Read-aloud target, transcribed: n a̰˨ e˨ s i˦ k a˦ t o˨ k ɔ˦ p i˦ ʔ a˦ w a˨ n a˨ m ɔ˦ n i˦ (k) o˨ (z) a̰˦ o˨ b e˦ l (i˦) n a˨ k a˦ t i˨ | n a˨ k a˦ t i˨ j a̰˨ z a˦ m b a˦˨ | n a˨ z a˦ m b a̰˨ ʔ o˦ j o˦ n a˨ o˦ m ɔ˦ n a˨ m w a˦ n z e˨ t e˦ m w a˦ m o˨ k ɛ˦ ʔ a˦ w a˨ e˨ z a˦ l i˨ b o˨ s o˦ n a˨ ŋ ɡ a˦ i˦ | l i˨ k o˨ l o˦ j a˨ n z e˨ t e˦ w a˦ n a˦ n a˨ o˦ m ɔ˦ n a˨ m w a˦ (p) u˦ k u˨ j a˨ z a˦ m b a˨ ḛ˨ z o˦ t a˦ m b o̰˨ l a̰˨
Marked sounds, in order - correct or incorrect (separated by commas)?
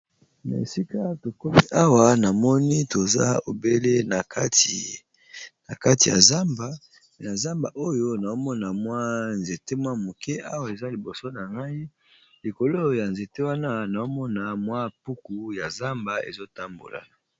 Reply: incorrect, correct, incorrect, correct